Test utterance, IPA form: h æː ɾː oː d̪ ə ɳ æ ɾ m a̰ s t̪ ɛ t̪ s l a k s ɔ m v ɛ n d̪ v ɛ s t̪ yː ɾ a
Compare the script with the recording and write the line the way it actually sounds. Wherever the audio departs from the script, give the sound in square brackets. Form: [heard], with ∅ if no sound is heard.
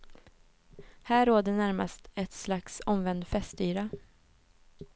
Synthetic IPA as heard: h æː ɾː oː d̪ ə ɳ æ ɾ m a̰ s t̪ ɛ t̪ s l a k s ɔ m v ɛ n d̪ [f] ɛ s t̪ yː ɾ a